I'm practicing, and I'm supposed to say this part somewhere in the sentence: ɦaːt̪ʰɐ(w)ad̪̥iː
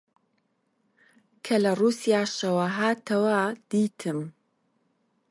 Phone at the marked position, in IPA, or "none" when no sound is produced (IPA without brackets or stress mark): w